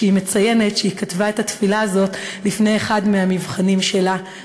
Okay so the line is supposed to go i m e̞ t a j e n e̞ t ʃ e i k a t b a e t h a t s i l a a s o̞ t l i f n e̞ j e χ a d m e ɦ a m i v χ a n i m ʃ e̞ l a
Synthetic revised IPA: i m e̞ t͡s a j e n e̞ t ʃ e i k a t v a e t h a t f i l a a z o̞ t l i f n e̞ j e χ a d m e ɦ a m i v χ a n i m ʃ e̞ l a